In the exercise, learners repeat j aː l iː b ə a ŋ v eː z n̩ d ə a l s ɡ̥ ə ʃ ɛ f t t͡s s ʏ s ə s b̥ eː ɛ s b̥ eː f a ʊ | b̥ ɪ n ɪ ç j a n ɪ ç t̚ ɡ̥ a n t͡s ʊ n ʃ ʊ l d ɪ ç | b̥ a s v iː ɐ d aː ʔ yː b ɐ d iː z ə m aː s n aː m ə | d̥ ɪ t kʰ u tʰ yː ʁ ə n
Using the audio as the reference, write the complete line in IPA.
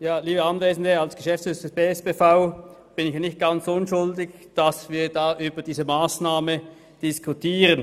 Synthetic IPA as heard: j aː l iː b ə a n v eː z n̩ d ə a l s ɡ̥ ə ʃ ɛ f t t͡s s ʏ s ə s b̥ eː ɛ s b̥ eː f a ʊ | b̥ ɪ n ɪ ç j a n ɪ ç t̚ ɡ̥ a n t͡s ʊ n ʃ ʊ l d ɪ ç | d̥ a s v iː ɐ d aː ʔ yː b ɐ d iː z ə m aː s n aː m ə | d̥ ɪ s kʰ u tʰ iː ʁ ə n